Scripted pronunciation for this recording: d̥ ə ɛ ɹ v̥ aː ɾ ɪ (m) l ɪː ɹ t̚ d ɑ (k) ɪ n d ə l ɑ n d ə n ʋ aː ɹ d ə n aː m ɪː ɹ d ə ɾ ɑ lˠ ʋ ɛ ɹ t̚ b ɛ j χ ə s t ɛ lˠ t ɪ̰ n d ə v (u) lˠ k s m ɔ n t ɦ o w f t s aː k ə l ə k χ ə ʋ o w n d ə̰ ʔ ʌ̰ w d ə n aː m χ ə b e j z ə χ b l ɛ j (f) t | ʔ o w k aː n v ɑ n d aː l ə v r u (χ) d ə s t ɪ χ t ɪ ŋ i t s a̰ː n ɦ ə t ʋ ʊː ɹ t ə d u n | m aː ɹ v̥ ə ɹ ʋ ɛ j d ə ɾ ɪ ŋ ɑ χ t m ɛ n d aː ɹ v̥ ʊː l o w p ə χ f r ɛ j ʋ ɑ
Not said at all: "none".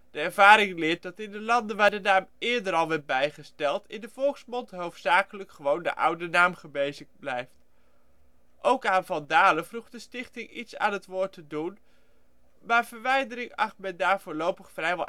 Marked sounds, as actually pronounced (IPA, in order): ŋ, t, ɔ, f, χ

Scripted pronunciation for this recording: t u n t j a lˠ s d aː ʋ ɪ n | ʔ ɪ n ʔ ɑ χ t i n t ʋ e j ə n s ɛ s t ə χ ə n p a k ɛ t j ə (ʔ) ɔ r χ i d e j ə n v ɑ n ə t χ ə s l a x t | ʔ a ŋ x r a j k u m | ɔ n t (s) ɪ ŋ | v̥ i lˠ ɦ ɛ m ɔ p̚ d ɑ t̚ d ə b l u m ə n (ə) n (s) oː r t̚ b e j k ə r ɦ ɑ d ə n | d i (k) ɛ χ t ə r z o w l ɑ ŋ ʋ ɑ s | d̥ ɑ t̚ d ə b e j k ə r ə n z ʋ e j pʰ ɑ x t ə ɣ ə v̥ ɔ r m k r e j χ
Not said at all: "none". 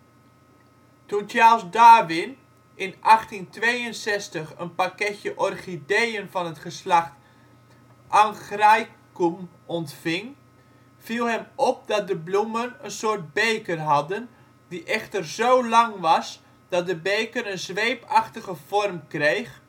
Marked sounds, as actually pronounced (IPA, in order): ʔ, f, ə, s, ʔ

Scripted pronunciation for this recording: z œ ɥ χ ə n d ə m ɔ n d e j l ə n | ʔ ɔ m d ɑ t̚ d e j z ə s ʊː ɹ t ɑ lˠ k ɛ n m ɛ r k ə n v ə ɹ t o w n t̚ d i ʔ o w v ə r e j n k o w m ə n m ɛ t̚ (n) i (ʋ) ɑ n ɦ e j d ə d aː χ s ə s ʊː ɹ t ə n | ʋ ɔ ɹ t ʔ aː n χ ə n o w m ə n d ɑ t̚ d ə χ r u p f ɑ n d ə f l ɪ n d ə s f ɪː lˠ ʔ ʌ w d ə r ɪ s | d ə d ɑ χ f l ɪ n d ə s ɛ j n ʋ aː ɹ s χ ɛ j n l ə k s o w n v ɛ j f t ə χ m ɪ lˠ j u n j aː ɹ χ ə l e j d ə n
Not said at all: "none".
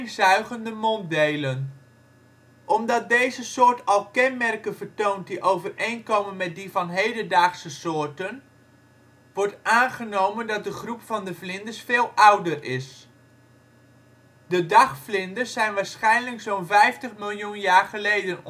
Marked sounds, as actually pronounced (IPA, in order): d, v

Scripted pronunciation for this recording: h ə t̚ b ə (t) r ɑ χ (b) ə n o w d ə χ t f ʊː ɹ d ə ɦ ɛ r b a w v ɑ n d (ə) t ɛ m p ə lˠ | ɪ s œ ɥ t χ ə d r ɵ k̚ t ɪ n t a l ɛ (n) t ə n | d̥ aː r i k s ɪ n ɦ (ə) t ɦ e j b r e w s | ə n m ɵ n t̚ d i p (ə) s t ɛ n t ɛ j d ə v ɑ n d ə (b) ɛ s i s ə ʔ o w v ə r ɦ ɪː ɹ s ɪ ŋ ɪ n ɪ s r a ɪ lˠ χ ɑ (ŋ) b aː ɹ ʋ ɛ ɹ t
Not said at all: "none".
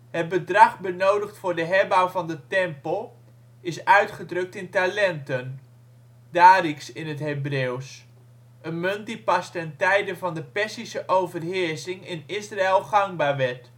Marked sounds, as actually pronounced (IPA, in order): d, b, ə, n, ə, ɑ, p, ŋ

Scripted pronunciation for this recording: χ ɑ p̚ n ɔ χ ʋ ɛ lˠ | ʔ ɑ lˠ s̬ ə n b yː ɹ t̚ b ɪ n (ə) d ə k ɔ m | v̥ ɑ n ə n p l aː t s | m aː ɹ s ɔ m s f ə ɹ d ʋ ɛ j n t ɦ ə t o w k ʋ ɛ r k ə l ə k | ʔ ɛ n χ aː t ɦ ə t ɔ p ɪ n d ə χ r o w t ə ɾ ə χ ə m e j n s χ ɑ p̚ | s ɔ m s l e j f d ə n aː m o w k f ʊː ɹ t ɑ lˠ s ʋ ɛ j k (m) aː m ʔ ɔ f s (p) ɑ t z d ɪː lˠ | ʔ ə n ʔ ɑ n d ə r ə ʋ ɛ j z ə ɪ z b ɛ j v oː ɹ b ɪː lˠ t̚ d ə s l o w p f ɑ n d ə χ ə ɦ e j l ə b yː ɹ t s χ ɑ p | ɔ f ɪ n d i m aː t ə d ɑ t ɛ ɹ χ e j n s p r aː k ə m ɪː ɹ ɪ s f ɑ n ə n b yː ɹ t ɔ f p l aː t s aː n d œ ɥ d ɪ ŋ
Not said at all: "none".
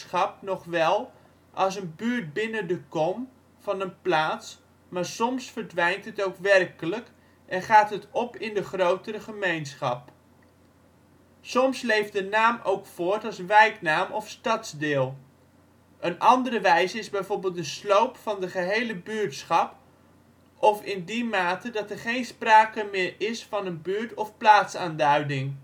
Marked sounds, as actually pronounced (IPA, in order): ə, n, t

